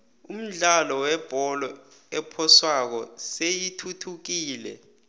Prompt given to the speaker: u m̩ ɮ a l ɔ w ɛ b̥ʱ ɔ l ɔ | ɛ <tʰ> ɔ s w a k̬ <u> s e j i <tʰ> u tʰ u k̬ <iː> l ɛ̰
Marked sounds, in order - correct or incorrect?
incorrect, incorrect, correct, correct

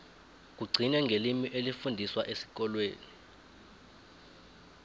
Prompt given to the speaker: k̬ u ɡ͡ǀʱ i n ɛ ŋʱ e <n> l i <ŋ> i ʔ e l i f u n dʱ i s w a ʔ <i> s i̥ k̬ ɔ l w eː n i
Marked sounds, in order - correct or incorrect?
incorrect, incorrect, incorrect

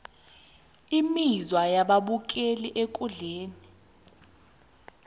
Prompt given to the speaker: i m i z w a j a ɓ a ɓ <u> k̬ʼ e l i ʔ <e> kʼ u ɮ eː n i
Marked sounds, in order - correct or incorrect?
correct, correct

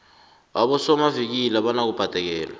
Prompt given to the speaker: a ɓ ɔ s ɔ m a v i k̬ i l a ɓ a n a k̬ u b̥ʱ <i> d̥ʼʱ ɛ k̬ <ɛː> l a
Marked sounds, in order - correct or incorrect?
incorrect, correct

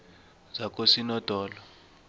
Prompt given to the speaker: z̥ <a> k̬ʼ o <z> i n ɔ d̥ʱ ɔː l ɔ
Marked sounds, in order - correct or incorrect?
correct, incorrect

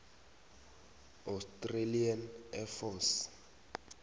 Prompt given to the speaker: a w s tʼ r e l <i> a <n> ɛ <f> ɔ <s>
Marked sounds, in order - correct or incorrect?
correct, correct, correct, correct

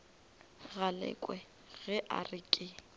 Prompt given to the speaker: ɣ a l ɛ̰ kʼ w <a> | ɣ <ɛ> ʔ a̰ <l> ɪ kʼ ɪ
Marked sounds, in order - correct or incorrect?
incorrect, correct, incorrect

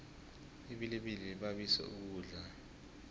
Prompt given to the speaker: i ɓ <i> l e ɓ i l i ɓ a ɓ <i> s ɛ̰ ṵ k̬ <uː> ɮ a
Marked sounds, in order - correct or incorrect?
correct, correct, correct

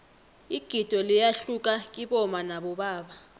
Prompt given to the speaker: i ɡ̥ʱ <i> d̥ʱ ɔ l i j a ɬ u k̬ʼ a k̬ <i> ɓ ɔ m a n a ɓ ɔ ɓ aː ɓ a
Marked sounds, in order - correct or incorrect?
correct, correct

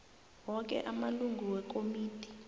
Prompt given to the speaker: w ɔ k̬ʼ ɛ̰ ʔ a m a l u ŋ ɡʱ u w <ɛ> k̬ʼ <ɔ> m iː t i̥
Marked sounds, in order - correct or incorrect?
correct, incorrect

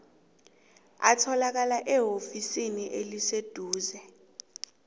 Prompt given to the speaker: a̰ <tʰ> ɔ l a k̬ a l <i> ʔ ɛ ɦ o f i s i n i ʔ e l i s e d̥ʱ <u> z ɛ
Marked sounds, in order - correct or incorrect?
correct, incorrect, incorrect

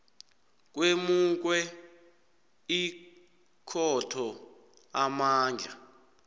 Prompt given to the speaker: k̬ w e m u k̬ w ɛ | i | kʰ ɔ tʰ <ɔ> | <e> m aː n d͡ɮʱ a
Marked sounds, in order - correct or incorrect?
correct, incorrect

